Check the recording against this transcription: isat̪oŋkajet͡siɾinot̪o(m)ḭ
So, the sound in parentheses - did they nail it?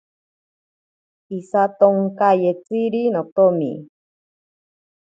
yes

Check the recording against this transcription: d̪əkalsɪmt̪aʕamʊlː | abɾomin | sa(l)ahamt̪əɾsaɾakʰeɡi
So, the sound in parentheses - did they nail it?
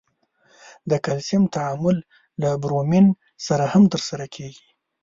no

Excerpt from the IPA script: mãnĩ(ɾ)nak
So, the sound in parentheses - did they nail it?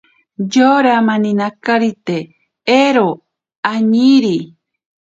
no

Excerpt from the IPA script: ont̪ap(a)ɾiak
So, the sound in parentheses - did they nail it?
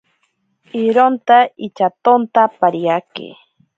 yes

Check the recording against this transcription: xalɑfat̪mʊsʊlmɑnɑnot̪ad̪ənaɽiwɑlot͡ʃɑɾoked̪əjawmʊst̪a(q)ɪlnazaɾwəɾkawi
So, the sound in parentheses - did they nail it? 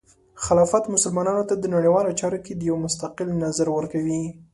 yes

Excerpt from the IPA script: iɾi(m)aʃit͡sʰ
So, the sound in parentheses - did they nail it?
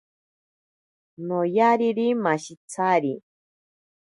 yes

